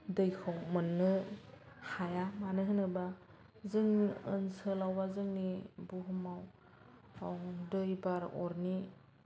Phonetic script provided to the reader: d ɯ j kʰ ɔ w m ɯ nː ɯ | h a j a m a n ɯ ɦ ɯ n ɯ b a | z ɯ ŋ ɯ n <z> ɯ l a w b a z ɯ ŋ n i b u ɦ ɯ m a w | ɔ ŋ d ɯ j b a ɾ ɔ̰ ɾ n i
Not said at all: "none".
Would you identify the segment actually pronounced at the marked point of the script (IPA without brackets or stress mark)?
s